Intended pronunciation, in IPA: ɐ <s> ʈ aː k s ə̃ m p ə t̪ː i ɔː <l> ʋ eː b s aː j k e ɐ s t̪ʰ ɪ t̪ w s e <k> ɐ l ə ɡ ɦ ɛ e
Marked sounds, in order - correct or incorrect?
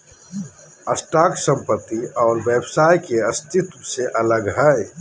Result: correct, incorrect, incorrect

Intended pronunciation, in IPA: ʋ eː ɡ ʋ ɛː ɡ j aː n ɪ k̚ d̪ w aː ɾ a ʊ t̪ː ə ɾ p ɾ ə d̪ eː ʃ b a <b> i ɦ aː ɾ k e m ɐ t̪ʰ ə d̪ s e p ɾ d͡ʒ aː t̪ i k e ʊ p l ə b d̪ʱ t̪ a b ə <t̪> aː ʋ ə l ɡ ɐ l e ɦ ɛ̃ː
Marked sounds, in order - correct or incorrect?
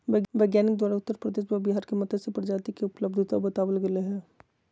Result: correct, correct

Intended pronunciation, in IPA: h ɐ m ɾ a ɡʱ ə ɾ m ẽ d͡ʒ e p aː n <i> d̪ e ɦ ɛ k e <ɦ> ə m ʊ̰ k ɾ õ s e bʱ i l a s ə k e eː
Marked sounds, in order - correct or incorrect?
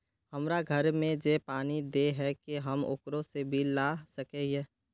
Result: correct, correct

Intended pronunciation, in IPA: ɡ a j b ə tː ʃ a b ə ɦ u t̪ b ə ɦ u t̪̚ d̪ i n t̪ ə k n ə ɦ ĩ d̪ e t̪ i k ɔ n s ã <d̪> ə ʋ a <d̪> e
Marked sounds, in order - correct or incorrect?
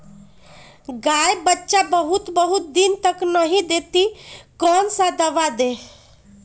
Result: correct, correct

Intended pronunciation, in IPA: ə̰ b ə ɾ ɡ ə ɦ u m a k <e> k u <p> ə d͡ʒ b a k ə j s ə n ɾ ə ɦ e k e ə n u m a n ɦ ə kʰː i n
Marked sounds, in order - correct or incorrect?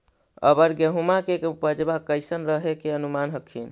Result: correct, correct

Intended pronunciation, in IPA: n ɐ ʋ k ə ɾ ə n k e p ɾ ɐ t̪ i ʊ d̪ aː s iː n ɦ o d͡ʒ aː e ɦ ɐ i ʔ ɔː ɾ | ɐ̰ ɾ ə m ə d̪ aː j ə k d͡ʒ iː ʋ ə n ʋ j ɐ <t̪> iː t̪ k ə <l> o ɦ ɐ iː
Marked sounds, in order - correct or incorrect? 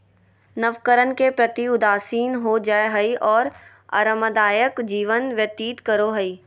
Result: correct, incorrect

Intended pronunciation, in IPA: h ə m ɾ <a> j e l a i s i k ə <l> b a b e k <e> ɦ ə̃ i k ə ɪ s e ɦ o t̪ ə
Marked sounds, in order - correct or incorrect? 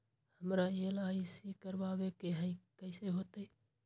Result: correct, incorrect, correct

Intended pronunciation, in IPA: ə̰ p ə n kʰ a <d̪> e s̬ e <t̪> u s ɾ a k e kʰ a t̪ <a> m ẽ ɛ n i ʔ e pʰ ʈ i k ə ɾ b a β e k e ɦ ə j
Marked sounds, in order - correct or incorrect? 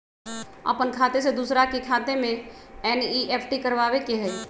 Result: incorrect, incorrect, incorrect

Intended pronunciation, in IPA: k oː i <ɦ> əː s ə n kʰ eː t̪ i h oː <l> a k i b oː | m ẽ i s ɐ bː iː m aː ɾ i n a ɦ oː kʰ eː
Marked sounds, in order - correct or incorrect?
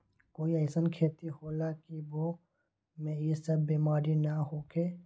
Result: incorrect, correct

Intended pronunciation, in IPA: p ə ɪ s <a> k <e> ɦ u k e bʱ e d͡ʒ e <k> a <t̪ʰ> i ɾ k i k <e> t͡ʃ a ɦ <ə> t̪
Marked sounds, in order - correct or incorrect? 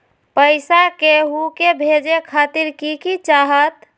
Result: correct, correct, incorrect, incorrect, incorrect, correct

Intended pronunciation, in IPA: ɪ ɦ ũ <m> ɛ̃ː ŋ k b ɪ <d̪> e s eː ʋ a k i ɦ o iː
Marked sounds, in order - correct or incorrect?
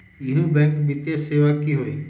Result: incorrect, incorrect

